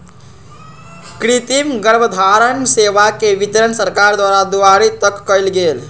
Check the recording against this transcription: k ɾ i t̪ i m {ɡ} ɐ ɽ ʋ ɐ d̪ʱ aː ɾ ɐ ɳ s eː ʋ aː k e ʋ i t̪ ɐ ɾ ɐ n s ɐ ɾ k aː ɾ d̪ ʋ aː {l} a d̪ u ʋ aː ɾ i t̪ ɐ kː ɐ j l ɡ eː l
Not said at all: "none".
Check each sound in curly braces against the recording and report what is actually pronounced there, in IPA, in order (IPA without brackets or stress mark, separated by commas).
ɡ, ɾ